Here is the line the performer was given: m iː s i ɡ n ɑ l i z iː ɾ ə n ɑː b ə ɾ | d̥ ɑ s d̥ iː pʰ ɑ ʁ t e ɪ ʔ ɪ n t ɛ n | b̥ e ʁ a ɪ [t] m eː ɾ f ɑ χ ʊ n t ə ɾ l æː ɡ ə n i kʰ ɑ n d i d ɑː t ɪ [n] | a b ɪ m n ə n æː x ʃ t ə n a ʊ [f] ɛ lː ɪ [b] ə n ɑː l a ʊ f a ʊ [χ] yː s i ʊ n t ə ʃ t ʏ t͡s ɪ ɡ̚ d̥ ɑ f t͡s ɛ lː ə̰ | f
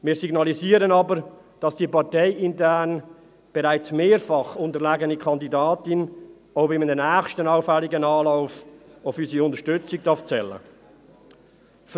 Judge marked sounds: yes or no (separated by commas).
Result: no, yes, yes, no, no